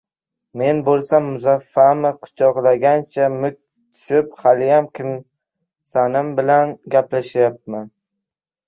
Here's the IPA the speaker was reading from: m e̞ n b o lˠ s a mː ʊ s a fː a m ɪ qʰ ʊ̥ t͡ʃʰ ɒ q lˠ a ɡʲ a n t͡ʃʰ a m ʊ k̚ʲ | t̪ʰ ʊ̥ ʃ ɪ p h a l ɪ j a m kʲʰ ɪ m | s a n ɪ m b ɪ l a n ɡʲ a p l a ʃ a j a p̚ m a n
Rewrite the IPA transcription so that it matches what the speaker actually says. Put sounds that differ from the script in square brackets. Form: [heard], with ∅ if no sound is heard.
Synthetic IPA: m e̞ n b o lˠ s a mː ʊ [z] a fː a m ɪ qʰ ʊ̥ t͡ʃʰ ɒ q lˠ a ɡʲ a n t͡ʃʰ a m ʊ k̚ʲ | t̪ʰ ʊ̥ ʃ ɪ p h a l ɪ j a m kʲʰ ɪ m | s a n ɪ m b ɪ l a n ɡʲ a p l a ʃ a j a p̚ m a n